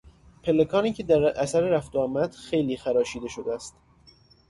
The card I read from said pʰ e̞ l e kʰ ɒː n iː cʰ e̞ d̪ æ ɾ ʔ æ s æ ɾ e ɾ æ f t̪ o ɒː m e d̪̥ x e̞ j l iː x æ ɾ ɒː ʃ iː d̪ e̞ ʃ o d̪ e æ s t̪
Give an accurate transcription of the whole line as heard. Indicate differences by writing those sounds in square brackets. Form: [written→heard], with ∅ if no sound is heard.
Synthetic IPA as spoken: pʰ e̞ l e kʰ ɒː n iː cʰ e̞ d̪ æ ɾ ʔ æ s æ ɾ e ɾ æ f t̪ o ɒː m [e→æ] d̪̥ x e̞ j l iː x æ ɾ ɒː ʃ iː d̪ e̞ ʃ o d̪ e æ s t̪